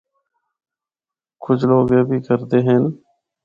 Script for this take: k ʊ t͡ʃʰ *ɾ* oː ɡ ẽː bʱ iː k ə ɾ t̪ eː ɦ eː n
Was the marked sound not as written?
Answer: yes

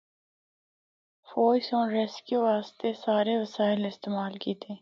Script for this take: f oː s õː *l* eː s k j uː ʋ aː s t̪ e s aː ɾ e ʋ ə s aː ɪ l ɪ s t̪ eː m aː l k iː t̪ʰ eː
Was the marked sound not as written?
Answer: yes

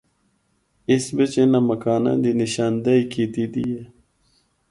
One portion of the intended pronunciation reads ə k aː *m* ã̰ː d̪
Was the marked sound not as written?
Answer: yes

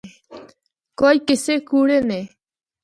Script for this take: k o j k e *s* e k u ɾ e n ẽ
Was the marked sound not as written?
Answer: no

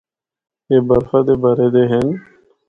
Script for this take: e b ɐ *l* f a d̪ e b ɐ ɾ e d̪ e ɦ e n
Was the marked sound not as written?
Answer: yes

